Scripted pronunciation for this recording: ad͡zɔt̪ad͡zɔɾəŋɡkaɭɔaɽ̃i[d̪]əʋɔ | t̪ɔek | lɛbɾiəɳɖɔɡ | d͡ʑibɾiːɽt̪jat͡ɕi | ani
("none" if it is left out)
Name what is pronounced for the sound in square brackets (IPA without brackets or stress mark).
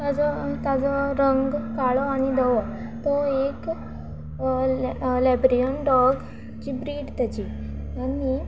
d̪